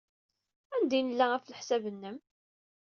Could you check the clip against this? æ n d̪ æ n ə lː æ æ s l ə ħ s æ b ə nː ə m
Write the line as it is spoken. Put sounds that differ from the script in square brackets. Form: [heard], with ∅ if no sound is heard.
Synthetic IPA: æ n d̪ [i] n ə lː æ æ [f] l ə ħ s æ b ə nː ə m

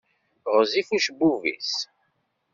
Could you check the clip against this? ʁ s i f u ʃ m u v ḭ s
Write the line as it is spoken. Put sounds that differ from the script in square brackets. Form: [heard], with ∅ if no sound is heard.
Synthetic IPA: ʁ [z] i f u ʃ [b] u v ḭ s

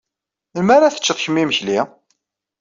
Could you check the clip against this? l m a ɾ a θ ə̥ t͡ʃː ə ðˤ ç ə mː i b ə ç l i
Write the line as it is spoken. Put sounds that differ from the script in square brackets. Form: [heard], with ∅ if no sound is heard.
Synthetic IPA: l m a ɾ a θ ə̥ t͡ʃː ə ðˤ ç ə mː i [m] ə ç l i

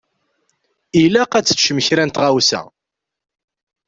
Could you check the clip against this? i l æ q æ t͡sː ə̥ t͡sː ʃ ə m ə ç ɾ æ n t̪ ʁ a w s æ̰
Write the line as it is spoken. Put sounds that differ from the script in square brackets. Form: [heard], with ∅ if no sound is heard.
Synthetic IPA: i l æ q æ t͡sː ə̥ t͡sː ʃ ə m ə ç ɾ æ n t̪ ʁ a w s æ̰

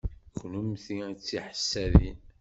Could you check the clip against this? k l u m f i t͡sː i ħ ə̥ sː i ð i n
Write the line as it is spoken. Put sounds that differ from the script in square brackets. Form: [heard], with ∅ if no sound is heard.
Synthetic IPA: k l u m [θ] i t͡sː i ħ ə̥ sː [æ] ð i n

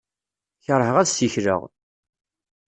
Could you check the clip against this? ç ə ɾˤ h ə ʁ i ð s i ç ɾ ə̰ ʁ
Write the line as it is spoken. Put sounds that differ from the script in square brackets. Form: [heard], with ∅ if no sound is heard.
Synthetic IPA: ç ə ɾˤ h ə ʁ [æ] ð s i ç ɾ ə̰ ʁ

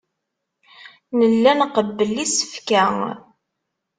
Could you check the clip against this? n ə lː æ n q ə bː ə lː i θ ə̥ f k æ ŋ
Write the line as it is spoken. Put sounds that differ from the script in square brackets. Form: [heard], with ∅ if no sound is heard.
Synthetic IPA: n ə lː æ n q ə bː ə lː i [s] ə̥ f k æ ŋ

